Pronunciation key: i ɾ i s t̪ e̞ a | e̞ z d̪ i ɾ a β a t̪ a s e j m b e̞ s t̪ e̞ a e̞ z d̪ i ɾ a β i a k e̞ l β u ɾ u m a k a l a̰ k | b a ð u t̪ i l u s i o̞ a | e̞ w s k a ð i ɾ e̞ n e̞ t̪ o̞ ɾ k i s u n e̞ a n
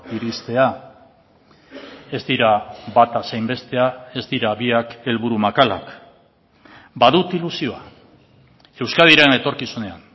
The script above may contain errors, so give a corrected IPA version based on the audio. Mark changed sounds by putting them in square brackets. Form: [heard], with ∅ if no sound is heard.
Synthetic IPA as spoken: i ɾ i s t̪ e̞ a | e̞ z d̪ i ɾ a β a t̪ a s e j m b e̞ s t̪ e̞ a e̞ z d̪ i ɾ a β i a k e̞ l β u ɾ u m a k a l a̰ k | b a ð u t̪ i l u s i o̞ a | e̞ w s k a ð i ɾ e̞ n e̞ t̪ o̞ ɾ k i s u n e̞ a n